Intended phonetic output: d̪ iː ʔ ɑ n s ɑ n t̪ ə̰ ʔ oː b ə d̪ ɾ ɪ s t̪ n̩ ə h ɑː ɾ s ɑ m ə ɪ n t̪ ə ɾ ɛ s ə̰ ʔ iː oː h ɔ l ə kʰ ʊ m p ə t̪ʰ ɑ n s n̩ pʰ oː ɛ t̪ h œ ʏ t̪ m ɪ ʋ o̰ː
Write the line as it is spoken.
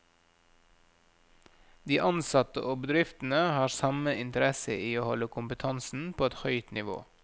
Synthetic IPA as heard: d̪ iː ʔ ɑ n s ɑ t̪ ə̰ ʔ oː b ə d̪ ɾ ɪ f t̪ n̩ ə h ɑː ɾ s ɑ m ə ɪ n t̪ ə ɾ ɛ s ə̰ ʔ iː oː h ɔ l ə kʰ ʊ m p ə t̪ʰ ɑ n s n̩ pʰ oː ɛ t̪ h œ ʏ t̪ n ɪ ʋ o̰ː